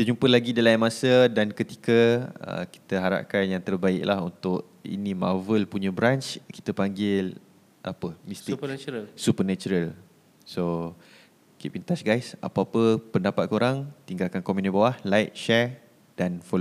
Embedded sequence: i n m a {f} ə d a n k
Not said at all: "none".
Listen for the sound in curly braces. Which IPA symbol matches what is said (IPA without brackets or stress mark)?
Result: s